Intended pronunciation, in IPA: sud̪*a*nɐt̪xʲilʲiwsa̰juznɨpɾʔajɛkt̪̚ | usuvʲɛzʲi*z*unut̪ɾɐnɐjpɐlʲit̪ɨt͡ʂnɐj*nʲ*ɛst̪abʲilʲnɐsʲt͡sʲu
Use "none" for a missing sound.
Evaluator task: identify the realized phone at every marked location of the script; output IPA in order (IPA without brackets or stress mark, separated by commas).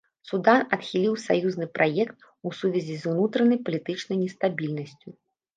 a, z, nʲ